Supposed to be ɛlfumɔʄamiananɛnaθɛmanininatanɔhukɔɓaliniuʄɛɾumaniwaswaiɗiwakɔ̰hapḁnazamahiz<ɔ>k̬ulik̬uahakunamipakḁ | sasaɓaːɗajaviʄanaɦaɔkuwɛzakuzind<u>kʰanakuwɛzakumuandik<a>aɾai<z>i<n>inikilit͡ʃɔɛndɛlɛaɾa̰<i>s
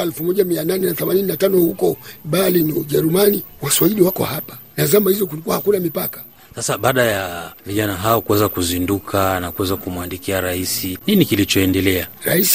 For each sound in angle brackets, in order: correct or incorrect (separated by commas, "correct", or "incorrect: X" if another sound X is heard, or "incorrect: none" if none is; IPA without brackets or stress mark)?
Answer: correct, correct, incorrect: i, incorrect: s, correct, correct